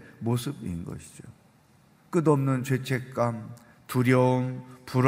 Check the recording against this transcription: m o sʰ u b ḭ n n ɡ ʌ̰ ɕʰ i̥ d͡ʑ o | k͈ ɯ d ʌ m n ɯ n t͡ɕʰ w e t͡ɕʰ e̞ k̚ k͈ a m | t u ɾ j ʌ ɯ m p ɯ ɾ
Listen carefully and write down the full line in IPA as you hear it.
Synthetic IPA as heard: m o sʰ ɯ b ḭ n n ɡ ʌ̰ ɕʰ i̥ d͡ʑ o | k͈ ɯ d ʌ m n ɯ n t͡ɕ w e t͡ɕʰ e̞ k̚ k͈ a m | t u ɾ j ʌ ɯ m p u ɾ